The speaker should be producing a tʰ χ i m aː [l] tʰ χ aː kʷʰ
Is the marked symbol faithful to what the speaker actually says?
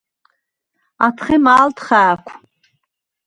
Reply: yes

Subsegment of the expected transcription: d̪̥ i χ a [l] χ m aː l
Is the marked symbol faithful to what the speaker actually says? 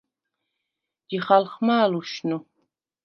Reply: yes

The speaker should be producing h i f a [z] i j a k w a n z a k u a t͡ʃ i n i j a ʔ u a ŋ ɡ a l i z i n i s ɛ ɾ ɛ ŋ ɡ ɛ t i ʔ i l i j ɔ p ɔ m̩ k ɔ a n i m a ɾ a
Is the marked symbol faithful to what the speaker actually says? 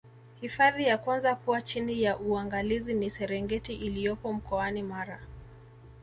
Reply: no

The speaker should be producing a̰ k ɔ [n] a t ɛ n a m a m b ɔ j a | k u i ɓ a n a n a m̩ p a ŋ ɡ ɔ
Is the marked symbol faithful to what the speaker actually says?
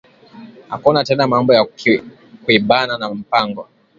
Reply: yes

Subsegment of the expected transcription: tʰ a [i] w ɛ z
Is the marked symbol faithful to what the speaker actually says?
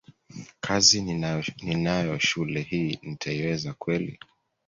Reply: yes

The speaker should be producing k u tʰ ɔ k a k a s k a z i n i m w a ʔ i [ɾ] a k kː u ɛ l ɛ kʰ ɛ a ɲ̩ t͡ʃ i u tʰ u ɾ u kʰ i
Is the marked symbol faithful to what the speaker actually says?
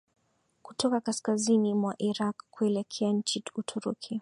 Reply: yes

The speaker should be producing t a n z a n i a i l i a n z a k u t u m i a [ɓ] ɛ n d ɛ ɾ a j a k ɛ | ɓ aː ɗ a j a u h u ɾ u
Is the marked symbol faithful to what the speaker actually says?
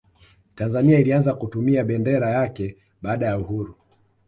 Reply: yes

